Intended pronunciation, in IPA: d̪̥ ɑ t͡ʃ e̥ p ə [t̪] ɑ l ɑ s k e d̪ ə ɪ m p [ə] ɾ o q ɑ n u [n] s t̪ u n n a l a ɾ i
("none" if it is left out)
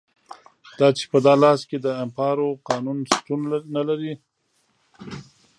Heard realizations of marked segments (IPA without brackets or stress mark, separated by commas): d̪, ɑ, n